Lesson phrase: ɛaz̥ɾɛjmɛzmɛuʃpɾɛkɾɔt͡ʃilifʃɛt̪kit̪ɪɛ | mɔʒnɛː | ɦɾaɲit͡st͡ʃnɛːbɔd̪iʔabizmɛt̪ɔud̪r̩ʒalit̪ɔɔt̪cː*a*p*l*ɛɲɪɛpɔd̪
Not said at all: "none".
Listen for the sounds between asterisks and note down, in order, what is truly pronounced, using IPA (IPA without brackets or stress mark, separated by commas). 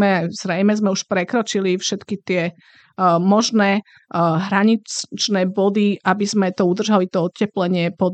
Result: ɛ, l